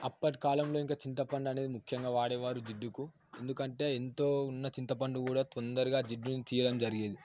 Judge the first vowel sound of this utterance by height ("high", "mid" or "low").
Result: low